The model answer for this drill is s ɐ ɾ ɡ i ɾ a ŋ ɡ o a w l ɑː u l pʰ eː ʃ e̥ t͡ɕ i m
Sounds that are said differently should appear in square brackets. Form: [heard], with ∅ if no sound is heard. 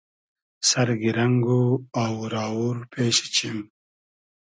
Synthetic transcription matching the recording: s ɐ ɾ ɡ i ɾ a ŋ ɡ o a w [ɾ] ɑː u [ɾ] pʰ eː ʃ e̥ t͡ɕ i m